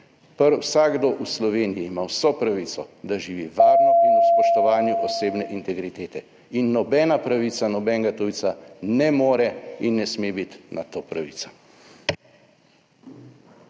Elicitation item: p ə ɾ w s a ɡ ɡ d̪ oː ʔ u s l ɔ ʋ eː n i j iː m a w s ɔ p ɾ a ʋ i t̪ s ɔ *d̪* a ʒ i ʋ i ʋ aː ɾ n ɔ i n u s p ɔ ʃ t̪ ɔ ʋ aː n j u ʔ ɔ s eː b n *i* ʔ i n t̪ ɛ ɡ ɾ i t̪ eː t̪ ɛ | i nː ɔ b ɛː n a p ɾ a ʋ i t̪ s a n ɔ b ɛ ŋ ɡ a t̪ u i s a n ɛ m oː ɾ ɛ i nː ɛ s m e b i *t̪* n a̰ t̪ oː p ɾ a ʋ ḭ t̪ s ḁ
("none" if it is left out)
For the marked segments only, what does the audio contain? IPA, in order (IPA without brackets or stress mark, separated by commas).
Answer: d̪, ɛ, t̪